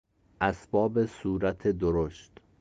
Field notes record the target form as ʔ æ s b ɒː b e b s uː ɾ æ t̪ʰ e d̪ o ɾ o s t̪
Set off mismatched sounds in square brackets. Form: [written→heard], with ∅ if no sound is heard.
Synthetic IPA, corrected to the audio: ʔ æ s b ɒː b e [b→∅] s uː ɾ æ t̪ʰ e d̪ o ɾ o [s→ʃ] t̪